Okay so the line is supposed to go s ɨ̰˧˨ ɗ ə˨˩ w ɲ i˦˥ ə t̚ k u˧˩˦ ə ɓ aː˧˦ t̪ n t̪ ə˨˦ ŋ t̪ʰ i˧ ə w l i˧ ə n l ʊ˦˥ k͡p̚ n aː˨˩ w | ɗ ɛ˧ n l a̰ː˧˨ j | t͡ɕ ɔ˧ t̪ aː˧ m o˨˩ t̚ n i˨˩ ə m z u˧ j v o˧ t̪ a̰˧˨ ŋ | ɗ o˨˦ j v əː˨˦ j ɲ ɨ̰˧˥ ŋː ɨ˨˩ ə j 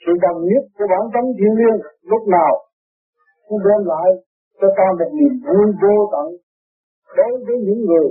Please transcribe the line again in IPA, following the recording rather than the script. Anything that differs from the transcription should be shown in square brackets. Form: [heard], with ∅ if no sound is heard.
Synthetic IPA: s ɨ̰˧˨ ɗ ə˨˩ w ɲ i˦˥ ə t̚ k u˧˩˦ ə ɓ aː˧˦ [∅] n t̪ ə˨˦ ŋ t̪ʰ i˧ ə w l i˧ ə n l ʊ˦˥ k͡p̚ n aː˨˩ w | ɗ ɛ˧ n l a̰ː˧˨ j | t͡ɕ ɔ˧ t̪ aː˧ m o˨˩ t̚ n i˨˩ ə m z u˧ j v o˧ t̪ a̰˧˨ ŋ | ɗ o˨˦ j v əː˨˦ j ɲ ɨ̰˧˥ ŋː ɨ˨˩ ə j